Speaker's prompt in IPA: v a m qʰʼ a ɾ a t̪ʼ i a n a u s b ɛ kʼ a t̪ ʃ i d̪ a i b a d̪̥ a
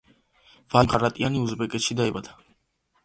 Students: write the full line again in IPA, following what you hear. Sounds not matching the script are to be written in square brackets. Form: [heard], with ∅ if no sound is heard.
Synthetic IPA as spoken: v a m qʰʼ a ɾ a t̪ʼ i a n [i] u [z] b ɛ kʼ [ɛ] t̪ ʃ i d̪ a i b a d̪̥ a